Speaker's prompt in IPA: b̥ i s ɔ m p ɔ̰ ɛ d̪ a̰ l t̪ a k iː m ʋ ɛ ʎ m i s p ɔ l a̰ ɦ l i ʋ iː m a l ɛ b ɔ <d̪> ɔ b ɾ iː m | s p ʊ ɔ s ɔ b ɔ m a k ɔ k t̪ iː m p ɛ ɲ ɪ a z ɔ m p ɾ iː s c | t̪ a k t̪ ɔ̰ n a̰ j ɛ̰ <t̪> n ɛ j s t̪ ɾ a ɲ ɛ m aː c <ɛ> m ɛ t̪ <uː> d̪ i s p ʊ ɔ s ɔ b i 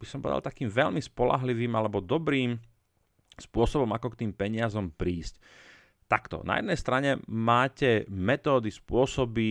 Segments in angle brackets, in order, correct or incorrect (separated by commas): correct, incorrect, correct, incorrect